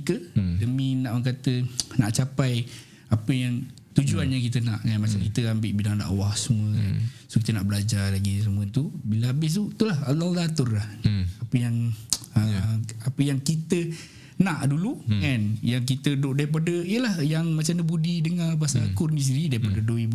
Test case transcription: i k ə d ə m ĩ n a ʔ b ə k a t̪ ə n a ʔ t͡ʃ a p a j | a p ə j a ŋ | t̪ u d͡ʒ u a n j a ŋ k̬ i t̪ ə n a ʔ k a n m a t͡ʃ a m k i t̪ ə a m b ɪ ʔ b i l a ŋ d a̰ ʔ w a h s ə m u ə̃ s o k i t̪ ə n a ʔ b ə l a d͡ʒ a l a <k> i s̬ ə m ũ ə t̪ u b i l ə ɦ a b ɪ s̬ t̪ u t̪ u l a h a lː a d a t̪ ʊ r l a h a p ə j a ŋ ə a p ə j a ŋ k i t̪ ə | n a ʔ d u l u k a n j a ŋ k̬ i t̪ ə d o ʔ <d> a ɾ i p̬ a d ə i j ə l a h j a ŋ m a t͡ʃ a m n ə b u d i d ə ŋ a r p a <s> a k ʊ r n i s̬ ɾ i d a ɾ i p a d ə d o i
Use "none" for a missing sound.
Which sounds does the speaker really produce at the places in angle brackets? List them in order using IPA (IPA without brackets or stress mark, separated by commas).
ɡ, d, s